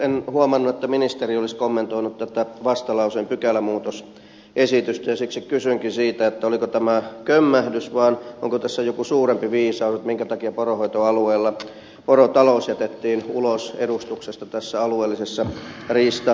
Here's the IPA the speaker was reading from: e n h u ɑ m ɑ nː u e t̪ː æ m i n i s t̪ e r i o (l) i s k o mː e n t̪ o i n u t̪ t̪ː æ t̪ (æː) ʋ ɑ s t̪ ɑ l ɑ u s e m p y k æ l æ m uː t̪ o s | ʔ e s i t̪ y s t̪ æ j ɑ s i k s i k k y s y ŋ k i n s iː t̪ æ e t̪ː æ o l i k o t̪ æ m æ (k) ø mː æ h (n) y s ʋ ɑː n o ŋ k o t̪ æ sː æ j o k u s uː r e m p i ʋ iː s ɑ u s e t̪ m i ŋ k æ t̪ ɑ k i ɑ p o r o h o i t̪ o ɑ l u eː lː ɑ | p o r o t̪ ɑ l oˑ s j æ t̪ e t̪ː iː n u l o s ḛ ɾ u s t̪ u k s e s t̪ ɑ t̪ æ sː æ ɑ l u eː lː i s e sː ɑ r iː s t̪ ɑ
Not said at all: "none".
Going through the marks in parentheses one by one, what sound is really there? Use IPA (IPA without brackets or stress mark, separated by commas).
l, æ, k, d